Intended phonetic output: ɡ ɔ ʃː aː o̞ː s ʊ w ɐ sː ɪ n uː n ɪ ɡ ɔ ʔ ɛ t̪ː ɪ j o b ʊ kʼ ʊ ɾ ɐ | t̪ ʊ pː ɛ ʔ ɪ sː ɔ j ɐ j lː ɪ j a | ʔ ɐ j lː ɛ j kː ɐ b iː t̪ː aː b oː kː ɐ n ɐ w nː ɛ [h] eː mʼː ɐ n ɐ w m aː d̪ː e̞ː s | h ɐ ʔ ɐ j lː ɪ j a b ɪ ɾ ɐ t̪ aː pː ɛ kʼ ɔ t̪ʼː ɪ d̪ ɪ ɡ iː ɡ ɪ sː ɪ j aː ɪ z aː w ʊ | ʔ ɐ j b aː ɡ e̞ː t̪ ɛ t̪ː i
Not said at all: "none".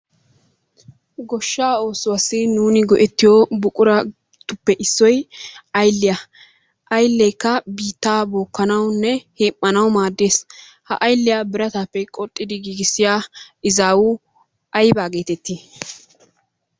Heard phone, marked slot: h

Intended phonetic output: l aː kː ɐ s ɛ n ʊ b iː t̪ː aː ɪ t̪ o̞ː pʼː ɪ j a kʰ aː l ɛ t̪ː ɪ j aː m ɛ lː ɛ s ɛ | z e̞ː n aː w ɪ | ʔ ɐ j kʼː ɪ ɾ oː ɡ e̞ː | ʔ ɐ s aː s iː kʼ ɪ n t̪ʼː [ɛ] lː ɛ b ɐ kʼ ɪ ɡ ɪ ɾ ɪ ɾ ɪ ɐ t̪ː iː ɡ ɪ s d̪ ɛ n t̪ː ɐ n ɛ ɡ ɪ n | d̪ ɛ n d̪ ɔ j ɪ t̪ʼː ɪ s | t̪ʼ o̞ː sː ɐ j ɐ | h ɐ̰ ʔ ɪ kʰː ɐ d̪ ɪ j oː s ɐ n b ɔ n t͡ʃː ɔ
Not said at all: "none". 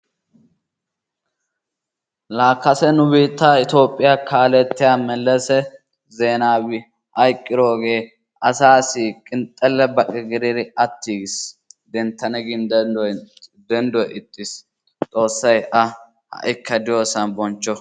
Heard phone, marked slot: ɛ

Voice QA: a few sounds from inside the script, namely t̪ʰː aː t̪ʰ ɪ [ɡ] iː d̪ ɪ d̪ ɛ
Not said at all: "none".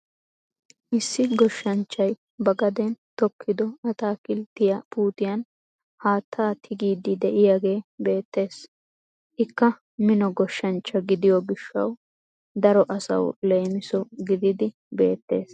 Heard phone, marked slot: ɡ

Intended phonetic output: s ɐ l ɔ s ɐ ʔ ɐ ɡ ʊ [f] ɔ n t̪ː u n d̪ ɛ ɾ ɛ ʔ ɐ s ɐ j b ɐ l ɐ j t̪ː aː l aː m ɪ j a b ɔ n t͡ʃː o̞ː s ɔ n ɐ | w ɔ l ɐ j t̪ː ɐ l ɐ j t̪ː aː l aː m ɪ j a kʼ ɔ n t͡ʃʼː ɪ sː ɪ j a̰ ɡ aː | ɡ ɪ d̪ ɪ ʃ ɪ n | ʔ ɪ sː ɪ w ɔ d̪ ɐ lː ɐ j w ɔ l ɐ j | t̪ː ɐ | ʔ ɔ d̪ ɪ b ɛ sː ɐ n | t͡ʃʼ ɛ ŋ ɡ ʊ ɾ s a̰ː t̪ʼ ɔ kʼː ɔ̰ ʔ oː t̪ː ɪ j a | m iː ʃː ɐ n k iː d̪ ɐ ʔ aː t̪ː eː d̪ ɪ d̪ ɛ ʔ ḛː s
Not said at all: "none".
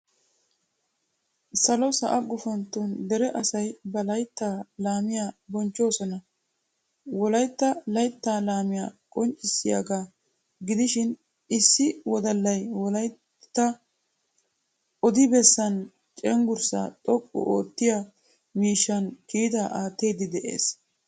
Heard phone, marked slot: f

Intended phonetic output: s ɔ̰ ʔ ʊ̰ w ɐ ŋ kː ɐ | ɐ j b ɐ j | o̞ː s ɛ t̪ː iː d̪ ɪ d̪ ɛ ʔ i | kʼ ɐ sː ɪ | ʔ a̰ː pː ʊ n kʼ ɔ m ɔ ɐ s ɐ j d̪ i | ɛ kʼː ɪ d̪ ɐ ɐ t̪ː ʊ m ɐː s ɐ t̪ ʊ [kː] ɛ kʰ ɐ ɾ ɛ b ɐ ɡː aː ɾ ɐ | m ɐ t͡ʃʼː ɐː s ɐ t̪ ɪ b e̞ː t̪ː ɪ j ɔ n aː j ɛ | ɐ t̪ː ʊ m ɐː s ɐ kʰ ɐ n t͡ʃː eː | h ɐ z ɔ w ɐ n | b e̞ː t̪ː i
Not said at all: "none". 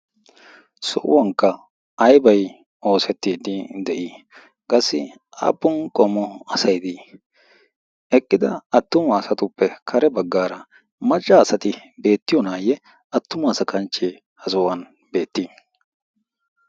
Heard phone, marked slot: pː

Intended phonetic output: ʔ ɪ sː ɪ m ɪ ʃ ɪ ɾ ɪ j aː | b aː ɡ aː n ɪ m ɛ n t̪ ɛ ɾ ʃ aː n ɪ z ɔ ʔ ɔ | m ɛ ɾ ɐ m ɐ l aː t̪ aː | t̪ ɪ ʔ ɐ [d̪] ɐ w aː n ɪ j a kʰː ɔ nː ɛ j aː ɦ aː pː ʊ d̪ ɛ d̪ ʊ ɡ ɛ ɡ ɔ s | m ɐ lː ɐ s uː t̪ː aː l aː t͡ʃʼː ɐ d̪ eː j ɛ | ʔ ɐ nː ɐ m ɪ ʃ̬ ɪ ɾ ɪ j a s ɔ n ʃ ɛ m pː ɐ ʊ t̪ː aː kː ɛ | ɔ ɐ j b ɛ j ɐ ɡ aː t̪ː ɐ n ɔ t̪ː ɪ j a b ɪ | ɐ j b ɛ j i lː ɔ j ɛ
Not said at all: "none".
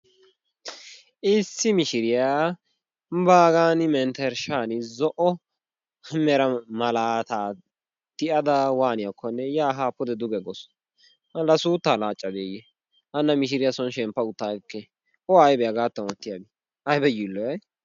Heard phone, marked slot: d̪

